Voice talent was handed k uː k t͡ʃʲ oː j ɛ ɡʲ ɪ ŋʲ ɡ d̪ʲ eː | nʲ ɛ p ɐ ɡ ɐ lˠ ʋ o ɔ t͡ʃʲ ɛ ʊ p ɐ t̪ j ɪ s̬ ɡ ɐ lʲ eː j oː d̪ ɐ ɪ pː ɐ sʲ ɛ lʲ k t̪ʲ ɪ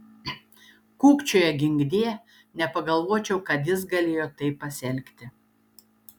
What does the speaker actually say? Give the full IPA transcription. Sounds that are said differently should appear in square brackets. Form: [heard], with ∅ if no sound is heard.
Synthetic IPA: k uː k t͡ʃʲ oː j ɛ ɡʲ ɪ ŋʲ ɡ d̪ʲ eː | nʲ ɛ p ɐ ɡ ɐ lˠ ʋ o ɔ t͡ʃʲ ɛ ʊ [k] ɐ t̪ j ɪ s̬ ɡ ɐ lʲ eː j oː [t̪] ɐ ɪ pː ɐ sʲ ɛ lʲ k t̪ʲ ɪ

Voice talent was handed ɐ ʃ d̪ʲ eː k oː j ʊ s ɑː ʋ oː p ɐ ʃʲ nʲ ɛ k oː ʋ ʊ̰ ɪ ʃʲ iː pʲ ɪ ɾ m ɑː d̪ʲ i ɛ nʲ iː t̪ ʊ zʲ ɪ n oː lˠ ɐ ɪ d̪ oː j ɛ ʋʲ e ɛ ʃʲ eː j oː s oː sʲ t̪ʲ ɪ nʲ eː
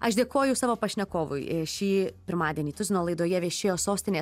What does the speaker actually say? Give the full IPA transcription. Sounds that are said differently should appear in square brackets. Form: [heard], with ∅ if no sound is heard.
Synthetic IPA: ɐ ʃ d̪ʲ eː k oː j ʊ s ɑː ʋ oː p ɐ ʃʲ nʲ ɛ k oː ʋ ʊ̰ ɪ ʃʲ iː pʲ ɪ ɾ m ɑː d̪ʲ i ɛ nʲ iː t̪ ʊ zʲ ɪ n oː lˠ ɐ ɪ d̪ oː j ɛ ʋʲ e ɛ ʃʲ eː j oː s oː sʲ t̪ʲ ɪ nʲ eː

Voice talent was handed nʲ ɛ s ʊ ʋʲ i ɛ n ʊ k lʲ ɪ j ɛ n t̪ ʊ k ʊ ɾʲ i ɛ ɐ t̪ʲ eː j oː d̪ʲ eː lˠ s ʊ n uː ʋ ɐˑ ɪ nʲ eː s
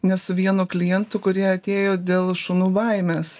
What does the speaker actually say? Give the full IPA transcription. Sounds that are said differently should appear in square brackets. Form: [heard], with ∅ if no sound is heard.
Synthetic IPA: nʲ ɛ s ʊ ʋʲ i ɛ n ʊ k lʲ ɪ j ɛ n t̪ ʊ k ʊ ɾʲ i ɛ ɐ t̪ʲ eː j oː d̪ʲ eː lˠ [ʃ] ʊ n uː ʋ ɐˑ ɪ [mʲ] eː s

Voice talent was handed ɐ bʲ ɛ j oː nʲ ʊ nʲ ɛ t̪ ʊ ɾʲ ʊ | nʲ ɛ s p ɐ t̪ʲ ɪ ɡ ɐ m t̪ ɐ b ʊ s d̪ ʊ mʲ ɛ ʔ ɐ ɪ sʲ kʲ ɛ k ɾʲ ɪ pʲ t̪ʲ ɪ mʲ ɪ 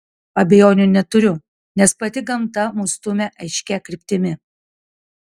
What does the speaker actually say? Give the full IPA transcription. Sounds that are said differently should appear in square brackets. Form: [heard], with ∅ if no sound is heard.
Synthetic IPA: ɐ bʲ ɛ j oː nʲ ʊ nʲ ɛ t̪ ʊ ɾʲ ʊ | nʲ ɛ s p ɐ t̪ʲ ɪ ɡ ɐ m t̪ ɐ [m] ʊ s [t̪] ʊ mʲ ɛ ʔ ɐ ɪ [ʃʲ] kʲ ɛ k ɾʲ ɪ pʲ t̪ʲ ɪ mʲ ɪ

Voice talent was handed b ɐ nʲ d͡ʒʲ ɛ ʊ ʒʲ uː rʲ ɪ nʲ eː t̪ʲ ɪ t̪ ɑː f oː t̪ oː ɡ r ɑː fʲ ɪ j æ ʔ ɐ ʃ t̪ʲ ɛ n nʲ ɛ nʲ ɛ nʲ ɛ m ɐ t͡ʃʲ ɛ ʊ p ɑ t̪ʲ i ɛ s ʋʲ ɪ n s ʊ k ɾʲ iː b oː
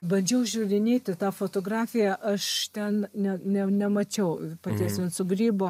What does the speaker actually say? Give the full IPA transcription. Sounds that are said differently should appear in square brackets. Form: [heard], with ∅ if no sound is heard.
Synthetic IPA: b ɐ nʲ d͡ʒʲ ɛ ʊ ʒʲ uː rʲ ɪ nʲ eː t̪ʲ ɪ t̪ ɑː f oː t̪ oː ɡ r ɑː fʲ ɪ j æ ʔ ɐ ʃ t̪ʲ ɛ n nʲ ɛ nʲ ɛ nʲ ɛ m ɐ t͡ʃʲ ɛ ʊ p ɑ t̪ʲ i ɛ s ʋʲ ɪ n s ʊ [ɡ] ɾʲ iː b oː

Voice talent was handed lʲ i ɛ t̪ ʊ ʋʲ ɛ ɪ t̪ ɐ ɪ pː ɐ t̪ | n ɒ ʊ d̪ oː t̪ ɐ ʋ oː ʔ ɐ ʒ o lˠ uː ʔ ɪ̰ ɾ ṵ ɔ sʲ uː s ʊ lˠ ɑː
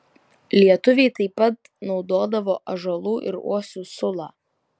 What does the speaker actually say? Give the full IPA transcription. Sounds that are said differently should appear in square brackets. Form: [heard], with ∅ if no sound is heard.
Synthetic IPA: lʲ i ɛ t̪ ʊ ʋʲ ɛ ɪ t̪ ɐ ɪ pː ɐ t̪ | n ɒ ʊ d̪ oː [d̪] ɐ ʋ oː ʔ ɐ ʒ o lˠ uː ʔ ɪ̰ ɾ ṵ ɔ sʲ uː s ʊ lˠ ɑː

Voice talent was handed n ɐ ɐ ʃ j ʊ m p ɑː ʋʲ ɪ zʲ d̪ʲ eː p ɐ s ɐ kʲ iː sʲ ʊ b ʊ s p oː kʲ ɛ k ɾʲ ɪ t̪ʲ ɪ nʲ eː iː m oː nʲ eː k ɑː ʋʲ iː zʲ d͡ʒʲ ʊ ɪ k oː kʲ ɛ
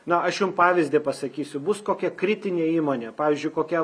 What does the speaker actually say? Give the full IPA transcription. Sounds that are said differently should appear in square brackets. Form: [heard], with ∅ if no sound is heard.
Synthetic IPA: n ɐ ɐ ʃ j ʊ m p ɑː ʋʲ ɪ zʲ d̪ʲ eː p ɐ s ɐ kʲ iː sʲ ʊ b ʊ s [k] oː kʲ ɛ k ɾʲ ɪ t̪ʲ ɪ nʲ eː iː m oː nʲ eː [p] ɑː ʋʲ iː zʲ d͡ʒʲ ʊ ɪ k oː kʲ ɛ

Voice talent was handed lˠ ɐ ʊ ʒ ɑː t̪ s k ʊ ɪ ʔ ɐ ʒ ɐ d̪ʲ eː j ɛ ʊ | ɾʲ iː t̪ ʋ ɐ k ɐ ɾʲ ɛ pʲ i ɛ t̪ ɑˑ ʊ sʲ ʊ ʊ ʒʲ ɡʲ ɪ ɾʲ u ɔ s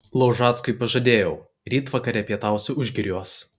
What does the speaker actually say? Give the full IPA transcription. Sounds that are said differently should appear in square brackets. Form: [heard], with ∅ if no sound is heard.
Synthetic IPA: lˠ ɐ ʊ ʒ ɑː t̪ s k ʊ ɪ [p] ɐ ʒ ɐ d̪ʲ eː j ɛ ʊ | ɾʲ iː t̪ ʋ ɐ k ɐ ɾʲ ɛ pʲ i ɛ t̪ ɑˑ ʊ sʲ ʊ ʊ ʒʲ ɡʲ ɪ ɾʲ u ɔ s

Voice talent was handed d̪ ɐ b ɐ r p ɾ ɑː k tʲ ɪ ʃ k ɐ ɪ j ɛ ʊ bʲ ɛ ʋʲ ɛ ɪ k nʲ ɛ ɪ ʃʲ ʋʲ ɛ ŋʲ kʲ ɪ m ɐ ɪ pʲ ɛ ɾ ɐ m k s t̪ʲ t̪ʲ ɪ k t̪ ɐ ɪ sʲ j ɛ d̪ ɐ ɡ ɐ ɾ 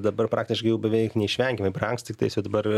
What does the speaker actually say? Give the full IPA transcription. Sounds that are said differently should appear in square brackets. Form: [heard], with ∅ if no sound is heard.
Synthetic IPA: d̪ ɐ b ɐ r p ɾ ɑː k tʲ ɪ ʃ k ɐ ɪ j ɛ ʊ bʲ ɛ ʋʲ ɛ ɪ k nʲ ɛ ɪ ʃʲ ʋʲ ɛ ŋʲ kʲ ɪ m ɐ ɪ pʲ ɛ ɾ ɐ [ŋ] k s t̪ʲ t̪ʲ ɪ k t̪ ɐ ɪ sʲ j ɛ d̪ ɐ [b] ɐ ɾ

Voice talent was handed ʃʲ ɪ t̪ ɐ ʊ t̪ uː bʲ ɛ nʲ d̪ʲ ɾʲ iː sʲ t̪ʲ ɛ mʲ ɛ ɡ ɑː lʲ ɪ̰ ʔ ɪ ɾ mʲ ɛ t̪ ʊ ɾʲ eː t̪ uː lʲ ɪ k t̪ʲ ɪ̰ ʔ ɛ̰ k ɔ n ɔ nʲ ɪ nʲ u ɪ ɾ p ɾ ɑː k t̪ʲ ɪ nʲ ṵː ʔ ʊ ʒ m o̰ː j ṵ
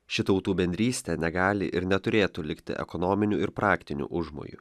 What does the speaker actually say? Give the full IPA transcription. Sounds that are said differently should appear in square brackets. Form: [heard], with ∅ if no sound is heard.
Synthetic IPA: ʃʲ ɪ t̪ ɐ ʊ t̪ uː bʲ ɛ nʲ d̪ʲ ɾʲ iː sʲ t̪ʲ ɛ [nʲ] ɛ ɡ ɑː lʲ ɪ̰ ʔ ɪ ɾ [nʲ] ɛ t̪ ʊ ɾʲ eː t̪ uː lʲ ɪ k t̪ʲ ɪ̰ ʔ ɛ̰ k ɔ n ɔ [mʲ] ɪ nʲ u ɪ ɾ p ɾ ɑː k t̪ʲ ɪ nʲ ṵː ʔ ʊ ʒ m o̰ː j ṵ

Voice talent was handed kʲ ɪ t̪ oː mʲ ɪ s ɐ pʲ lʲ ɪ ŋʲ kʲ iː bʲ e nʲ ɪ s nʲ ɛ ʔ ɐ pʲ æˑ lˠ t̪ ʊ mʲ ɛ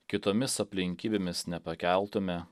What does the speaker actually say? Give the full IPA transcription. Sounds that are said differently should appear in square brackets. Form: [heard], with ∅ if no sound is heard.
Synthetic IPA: kʲ ɪ t̪ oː mʲ ɪ s ɐ pʲ lʲ ɪ ŋʲ kʲ iː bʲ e [mʲ] ɪ s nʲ ɛ [p] ɐ [kʲ] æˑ lˠ t̪ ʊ mʲ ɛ

